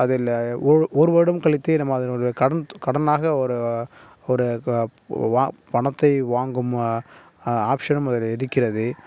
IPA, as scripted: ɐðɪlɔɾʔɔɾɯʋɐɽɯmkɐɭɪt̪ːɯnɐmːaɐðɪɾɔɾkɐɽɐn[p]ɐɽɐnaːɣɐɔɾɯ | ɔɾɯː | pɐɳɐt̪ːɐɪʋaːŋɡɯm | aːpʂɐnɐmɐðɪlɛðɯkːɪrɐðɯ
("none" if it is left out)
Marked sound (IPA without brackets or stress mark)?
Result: k